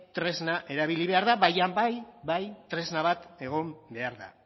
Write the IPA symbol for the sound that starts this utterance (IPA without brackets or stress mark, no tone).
t̪